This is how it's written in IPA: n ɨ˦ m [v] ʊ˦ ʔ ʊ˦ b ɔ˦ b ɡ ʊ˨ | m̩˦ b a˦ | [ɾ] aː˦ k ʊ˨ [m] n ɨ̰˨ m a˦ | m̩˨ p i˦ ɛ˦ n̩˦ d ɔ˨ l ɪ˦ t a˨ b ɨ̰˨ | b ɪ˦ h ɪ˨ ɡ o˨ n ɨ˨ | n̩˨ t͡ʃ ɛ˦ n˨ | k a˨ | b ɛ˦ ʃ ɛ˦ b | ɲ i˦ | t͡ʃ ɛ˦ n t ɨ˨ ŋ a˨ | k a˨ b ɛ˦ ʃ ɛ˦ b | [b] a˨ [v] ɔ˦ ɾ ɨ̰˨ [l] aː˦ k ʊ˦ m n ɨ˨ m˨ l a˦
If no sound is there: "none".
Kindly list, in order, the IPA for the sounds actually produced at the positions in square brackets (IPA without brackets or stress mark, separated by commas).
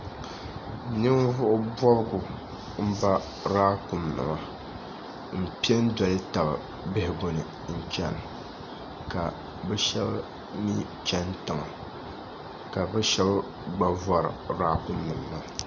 v, ɾ, m, ɡ͡b, v, ɾ